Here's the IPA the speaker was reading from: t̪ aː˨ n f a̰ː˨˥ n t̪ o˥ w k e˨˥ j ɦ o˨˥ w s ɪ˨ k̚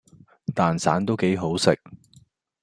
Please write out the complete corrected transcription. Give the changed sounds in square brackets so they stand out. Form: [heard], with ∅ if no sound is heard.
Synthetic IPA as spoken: t̪ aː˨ n [s] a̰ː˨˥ n t̪ o˥ w k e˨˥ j ɦ o˨˥ w s ɪ˨ k̚

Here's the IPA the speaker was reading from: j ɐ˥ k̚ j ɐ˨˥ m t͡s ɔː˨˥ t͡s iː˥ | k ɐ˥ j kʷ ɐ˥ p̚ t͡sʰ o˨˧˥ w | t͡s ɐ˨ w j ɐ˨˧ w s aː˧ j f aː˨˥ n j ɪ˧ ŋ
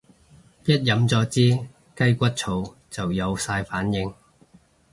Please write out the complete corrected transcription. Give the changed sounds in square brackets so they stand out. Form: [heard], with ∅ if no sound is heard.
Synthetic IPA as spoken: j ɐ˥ [t̚] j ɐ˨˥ m t͡s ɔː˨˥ t͡s iː˥ | k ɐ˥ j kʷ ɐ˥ [t̚] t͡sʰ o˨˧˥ w | t͡s ɐ˨ w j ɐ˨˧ w s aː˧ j f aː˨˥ n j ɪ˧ ŋ

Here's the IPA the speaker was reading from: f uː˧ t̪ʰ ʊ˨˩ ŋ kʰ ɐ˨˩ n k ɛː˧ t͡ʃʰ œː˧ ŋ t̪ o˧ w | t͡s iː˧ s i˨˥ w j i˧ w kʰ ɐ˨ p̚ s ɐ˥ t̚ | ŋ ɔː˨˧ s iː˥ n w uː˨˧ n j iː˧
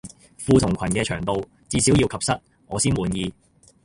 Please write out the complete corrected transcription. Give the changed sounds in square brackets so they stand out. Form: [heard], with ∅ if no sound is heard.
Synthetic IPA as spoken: f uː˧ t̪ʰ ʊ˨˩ ŋ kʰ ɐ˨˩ n k ɛː˧ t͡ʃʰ [œː˨˩] ŋ t̪ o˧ w | t͡s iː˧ s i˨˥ w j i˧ w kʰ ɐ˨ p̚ s ɐ˥ t̚ | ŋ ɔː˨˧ s iː˥ n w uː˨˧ n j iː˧

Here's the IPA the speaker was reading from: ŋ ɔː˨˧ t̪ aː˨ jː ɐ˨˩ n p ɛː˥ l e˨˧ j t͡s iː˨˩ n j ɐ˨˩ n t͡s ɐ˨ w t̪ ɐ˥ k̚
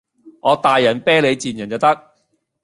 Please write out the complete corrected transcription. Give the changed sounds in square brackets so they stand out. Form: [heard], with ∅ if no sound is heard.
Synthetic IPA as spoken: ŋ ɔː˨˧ t̪ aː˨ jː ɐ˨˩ n p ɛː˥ l e˨˧ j t͡s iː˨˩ n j ɐ˨˩ n t͡s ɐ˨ w t̪ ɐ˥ k̚

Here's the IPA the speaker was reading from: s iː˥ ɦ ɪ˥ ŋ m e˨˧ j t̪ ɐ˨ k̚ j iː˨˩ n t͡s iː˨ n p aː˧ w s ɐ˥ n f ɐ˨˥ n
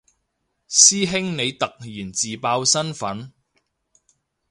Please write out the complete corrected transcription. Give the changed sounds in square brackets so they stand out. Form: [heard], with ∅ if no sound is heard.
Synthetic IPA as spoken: s iː˥ ɦ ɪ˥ ŋ [n] e˨˧ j t̪ ɐ˨ k̚ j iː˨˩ n t͡s iː˨ [∅] p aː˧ w s ɐ˥ n f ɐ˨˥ n

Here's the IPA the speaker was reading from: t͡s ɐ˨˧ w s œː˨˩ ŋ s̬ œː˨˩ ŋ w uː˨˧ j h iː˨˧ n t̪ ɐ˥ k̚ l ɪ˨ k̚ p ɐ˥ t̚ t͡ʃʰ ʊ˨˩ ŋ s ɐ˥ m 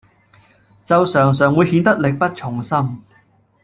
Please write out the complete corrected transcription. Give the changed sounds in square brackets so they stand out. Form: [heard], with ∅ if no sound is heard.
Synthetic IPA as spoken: t͡s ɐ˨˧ w s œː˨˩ ŋ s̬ œː˨˩ ŋ w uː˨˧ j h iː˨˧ n t̪ ɐ˥ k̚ l ɪ˨ k̚ p ɐ˥ t̚ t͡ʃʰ ʊ˨˩ ŋ s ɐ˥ m

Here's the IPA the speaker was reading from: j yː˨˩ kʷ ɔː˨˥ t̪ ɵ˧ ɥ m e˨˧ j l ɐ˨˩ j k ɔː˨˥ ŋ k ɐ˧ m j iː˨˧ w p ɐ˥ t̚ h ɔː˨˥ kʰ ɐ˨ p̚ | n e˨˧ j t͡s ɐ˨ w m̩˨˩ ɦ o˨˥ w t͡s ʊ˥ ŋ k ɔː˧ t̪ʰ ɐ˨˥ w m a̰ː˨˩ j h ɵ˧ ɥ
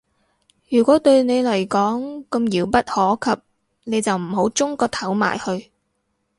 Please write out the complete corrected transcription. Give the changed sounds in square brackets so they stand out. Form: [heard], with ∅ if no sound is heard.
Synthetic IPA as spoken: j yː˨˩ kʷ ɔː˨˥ t̪ ɵ˧ ɥ [n] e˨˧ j l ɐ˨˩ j k ɔː˨˥ ŋ k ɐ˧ m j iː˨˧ w p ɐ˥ t̚ h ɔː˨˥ kʰ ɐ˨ p̚ | n e˨˧ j t͡s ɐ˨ w m̩˨˩ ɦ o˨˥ w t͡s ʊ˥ ŋ k ɔː˧ t̪ʰ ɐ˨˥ w m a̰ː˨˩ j h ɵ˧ ɥ

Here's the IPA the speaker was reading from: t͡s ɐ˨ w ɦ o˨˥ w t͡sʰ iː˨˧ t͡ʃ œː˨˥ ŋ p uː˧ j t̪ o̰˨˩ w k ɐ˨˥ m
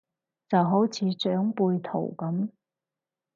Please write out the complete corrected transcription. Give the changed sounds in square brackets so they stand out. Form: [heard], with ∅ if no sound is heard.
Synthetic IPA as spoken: t͡s ɐ˨ w ɦ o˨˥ w t͡sʰ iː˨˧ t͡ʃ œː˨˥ ŋ p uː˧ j [t̪ʰ] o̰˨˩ w k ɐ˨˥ m

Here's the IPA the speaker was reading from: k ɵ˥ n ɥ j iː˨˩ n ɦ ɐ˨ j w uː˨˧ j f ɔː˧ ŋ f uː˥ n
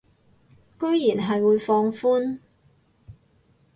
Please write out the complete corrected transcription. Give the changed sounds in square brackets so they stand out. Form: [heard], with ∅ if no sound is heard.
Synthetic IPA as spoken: k ɵ˥ [∅] ɥ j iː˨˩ n ɦ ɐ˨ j w uː˨˧ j f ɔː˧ ŋ f uː˥ n

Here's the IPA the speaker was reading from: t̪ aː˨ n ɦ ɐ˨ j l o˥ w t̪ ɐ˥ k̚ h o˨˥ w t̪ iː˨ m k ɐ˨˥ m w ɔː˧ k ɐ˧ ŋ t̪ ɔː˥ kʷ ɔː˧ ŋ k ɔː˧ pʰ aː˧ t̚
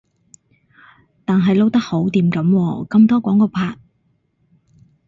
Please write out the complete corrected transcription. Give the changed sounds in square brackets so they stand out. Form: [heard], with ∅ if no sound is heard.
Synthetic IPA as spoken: t̪ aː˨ n ɦ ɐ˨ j l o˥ w t̪ ɐ˥ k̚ h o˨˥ w t̪ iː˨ m k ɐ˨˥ m w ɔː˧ k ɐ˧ [m] t̪ ɔː˥ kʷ [ɔː˨˥] ŋ k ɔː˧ pʰ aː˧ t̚

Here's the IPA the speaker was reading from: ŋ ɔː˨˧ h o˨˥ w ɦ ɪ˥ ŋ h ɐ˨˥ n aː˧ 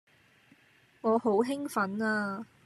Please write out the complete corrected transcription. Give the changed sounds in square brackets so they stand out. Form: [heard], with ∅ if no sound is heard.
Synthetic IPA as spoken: ŋ ɔː˨˧ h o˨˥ w ɦ ɪ˥ ŋ [f] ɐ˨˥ n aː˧

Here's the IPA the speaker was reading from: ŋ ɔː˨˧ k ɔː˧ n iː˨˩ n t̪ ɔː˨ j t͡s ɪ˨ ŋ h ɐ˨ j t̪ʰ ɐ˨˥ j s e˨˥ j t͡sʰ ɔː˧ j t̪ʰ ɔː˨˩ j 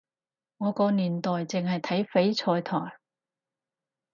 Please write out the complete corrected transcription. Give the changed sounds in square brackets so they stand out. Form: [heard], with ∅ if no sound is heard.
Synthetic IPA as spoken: ŋ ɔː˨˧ k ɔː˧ n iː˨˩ n t̪ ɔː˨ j t͡s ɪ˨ ŋ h ɐ˨ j t̪ʰ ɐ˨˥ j [f] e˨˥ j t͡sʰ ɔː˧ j t̪ʰ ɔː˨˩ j

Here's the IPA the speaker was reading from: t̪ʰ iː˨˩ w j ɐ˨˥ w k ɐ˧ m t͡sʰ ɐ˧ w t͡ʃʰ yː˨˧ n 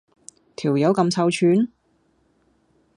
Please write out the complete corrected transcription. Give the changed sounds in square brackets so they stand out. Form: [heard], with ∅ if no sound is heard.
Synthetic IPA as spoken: t̪ʰ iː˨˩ w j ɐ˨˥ w k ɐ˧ m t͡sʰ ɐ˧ w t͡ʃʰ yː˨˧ n

